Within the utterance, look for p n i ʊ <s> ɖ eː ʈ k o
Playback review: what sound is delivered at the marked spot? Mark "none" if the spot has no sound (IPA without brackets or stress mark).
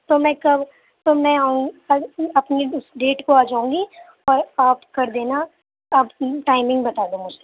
s